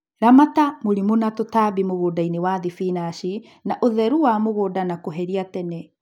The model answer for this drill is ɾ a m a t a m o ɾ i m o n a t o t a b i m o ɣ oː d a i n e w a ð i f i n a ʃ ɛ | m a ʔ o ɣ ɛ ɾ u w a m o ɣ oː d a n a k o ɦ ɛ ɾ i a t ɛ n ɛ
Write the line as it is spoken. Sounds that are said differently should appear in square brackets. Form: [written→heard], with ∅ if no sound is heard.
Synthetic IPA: ɾ a m a t a m o ɾ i m o n a t o t a b i m o ɣ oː d a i n e w a ð i f i n a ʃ [ɛ→i] | [m→n] a ʔ o [ɣ→ð] ɛ ɾ u w a m o ɣ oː d a n a k o ɦ ɛ ɾ i a t ɛ n ɛ